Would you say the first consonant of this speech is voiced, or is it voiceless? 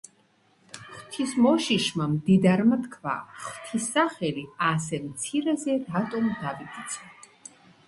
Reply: voiceless